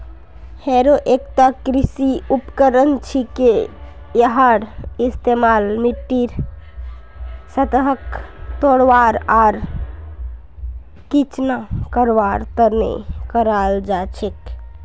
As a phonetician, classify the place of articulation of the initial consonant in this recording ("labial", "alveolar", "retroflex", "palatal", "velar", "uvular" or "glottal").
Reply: glottal